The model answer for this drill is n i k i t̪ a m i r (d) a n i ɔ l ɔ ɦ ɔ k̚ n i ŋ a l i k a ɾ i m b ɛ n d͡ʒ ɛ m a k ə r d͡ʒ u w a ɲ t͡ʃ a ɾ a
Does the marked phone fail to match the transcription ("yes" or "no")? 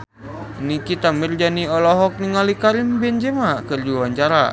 yes